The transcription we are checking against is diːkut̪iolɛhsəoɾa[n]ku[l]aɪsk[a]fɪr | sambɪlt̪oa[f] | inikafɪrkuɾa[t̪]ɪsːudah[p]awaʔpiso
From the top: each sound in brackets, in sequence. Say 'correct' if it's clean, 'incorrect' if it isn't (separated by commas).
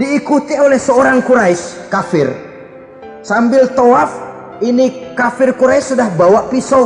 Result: incorrect, incorrect, correct, correct, incorrect, incorrect